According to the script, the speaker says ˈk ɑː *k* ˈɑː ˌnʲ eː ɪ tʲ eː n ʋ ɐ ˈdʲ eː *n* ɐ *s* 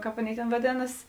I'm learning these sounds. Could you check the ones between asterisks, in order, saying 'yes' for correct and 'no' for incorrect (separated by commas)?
no, yes, yes